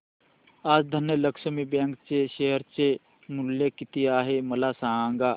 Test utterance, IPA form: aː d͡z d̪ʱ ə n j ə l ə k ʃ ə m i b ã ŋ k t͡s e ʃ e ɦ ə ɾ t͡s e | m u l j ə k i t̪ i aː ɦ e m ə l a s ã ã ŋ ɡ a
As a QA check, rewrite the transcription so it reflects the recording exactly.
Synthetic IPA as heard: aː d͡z d̪ʱ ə n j ə l ə k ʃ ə m i b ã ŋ k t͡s e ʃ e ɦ ə ɾ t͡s e | m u l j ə k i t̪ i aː ɦ e m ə l a s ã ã ŋ ɡ a

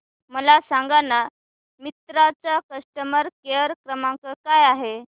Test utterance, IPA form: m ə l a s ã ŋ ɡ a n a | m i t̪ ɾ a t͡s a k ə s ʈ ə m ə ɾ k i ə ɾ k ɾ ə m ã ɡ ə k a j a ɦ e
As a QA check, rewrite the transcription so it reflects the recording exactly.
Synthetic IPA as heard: m ə l a s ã ŋ ɡ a n a | m i t̪ ɾ a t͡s a k ə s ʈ ə m ə ɾ k e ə ɾ k ɾ ə m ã k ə k a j a ɦ e

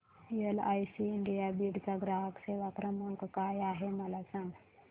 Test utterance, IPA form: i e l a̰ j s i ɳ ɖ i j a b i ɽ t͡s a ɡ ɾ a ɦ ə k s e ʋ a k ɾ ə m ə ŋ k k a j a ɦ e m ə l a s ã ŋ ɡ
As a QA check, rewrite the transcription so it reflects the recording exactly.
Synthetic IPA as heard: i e l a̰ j s i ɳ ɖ i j a b i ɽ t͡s a ɡ ɾ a ɦ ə k s e ʋ a k ɾ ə m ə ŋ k k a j a ɦ e m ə l a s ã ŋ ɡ

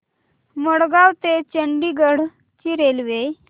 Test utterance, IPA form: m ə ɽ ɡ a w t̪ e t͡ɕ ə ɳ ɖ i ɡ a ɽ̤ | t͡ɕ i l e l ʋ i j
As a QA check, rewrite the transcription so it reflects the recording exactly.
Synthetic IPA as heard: m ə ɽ ɡ a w t̪ e t͡ɕ ə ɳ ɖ i ɡ ə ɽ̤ | t͡ɕ i ɾ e l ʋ e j

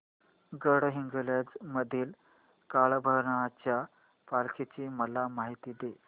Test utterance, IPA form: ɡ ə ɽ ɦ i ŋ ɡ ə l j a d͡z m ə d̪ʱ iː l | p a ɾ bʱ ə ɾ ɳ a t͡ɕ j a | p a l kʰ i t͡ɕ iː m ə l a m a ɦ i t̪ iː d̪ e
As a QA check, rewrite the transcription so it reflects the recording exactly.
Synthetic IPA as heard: ɡ ə ɽ ɦ i ŋ ɡ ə l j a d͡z m ə d̪ʱ iː l | k a ɭ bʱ ə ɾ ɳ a t͡ɕ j a | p a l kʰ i t͡ɕ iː m ə l a m a ɦ i t̪ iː d̪ e

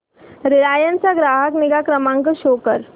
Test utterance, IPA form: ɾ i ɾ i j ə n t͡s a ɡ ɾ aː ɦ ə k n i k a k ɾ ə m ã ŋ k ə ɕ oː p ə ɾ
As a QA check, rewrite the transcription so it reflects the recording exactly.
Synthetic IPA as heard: ɾ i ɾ a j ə n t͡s a ɡ ɾ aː ɦ ə k n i ɡ a k ɾ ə m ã ŋ k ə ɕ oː k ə ɾ

